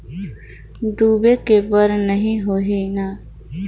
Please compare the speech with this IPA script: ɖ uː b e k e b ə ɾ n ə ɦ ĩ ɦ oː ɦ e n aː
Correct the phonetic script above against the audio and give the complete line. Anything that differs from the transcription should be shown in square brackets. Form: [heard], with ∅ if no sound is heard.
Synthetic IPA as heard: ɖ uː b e k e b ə ɾ n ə ɦ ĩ ɦ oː ɦ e n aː